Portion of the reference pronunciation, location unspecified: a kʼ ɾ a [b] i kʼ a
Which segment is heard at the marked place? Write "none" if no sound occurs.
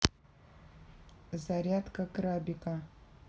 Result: b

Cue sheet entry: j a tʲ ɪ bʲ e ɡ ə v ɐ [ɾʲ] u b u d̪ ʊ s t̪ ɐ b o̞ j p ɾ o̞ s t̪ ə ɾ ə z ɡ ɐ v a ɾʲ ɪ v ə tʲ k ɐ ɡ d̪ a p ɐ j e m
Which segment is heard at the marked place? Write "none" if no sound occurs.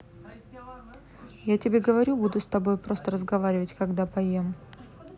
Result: ɾʲ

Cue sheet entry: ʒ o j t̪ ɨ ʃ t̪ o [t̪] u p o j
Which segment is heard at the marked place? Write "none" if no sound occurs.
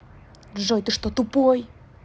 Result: t̪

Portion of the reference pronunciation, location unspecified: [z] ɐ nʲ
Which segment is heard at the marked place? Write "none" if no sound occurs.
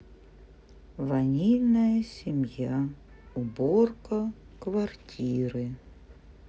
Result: v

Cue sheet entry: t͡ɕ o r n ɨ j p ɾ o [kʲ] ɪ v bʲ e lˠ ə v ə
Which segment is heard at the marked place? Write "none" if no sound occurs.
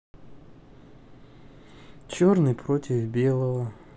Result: tʲ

